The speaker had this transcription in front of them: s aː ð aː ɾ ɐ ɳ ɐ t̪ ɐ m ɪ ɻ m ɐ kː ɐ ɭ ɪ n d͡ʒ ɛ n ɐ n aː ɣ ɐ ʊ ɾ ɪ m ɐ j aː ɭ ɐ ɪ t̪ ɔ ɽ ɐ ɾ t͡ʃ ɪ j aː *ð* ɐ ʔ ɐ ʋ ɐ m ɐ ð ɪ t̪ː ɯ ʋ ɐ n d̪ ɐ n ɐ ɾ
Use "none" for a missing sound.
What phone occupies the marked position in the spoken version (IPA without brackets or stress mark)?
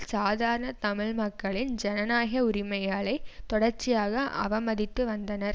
ɣ